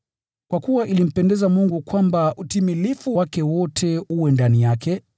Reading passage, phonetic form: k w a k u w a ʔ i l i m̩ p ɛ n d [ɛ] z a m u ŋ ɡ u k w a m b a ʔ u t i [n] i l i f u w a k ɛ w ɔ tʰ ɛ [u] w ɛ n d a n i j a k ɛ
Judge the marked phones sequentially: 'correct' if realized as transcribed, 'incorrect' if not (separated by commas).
correct, incorrect, correct